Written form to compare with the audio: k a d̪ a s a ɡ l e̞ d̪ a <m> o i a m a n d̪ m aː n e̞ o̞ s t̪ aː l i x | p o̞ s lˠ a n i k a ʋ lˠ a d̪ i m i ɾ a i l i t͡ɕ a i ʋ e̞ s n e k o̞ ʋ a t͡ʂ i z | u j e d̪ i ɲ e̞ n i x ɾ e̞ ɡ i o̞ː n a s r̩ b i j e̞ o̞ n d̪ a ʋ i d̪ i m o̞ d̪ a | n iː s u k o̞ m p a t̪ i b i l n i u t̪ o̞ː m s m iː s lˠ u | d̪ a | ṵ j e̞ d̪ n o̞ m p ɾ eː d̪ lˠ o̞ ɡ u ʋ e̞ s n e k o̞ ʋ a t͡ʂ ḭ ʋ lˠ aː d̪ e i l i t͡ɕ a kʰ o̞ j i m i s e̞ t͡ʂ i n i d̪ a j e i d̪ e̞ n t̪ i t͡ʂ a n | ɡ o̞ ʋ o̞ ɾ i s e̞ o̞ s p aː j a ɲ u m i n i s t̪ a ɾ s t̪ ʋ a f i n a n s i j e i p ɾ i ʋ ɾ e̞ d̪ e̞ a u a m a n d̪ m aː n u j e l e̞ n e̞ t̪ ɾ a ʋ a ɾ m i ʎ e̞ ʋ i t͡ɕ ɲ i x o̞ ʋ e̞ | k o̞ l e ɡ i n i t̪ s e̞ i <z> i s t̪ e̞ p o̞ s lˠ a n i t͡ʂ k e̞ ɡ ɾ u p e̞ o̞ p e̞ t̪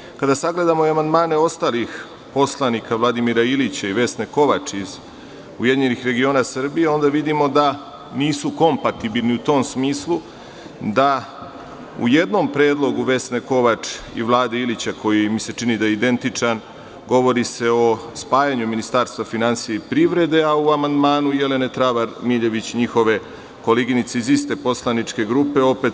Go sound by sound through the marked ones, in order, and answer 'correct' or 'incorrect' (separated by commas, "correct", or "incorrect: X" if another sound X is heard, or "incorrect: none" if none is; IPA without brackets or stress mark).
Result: correct, correct